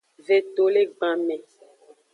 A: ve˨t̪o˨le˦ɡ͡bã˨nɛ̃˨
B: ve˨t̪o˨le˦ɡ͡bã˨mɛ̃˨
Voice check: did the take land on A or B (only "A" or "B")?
B